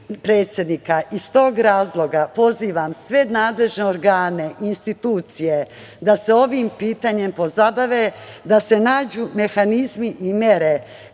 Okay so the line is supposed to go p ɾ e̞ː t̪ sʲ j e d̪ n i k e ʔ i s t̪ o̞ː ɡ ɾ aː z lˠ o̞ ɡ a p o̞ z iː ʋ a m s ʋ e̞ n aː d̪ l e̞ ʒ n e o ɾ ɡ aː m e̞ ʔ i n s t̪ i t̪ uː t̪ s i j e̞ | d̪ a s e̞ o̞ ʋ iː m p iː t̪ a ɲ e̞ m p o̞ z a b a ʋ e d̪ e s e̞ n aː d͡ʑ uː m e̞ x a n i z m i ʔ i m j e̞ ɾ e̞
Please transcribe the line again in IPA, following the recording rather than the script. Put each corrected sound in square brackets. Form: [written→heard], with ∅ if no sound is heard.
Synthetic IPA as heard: p ɾ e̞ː t̪ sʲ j e d̪ n i k [e→a] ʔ i s t̪ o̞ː ɡ ɾ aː z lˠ o̞ ɡ a p o̞ z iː ʋ a m s ʋ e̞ n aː d̪ l e̞ ʒ n e o ɾ ɡ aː [m→n] e̞ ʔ i n s t̪ i t̪ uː t̪ s i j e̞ | d̪ a s e̞ o̞ ʋ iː m p iː t̪ a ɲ e̞ m p o̞ z a b a ʋ e d̪ [e→a] s e̞ n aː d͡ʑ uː m e̞ x a n i z m i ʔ i m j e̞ ɾ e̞